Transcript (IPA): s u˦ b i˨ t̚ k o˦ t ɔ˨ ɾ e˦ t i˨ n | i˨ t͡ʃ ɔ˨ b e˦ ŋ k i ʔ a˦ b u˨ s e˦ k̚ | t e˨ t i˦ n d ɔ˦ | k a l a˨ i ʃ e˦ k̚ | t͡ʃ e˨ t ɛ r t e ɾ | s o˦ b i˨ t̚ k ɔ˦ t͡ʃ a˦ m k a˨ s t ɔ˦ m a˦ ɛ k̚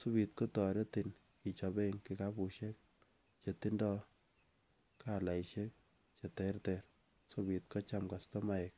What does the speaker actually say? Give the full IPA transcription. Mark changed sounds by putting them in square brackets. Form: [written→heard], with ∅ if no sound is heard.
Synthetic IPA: s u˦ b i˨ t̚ k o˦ t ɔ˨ ɾ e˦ t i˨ n | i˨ t͡ʃ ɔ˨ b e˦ ŋ k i [ʔ→k] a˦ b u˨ [s→ʃ] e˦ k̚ | [t→t͡ʃ] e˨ t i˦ n d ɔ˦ | k a l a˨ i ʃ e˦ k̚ | t͡ʃ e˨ t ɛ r t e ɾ | s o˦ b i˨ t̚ k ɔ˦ t͡ʃ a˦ m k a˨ s t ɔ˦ m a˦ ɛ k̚

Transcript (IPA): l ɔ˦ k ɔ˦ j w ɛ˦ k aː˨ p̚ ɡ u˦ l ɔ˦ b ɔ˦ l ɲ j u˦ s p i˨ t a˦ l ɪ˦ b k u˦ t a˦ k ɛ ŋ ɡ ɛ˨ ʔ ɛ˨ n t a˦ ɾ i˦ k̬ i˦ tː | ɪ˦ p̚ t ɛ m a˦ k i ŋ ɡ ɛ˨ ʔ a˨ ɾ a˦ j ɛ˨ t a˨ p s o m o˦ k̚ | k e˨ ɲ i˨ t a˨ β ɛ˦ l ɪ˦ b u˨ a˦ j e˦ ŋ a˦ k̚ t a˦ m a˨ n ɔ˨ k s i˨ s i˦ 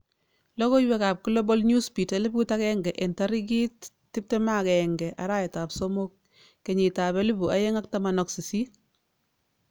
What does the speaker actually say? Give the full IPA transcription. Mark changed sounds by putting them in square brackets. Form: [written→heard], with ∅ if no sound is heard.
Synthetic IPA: l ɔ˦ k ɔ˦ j w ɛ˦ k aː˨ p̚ [ɡ→k] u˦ l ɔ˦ b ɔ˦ l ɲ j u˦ s p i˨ t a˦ l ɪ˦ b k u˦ t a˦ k ɛ ŋ ɡ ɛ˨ ʔ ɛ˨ n t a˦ ɾ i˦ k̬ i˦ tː | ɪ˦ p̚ t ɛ m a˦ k [i→ɛ] ŋ ɡ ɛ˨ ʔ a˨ ɾ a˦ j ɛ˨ t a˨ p s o m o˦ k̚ | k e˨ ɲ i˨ t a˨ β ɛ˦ l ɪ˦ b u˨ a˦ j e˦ ŋ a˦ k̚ t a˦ m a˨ n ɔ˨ k s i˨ s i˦

